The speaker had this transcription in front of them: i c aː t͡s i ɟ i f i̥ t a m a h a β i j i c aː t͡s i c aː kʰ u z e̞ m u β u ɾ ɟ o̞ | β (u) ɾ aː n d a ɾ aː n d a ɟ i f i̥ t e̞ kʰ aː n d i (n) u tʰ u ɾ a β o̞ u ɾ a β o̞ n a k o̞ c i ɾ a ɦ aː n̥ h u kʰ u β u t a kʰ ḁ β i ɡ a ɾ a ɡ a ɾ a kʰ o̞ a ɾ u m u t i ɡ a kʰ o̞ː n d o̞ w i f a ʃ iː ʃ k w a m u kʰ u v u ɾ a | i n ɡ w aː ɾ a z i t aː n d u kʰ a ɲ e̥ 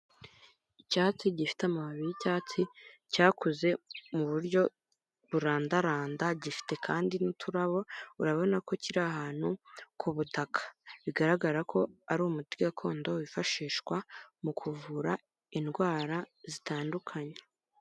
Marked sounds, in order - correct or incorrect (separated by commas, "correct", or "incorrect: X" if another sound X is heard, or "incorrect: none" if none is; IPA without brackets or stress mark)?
correct, correct